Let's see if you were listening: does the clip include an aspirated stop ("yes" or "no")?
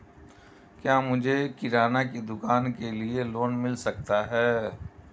no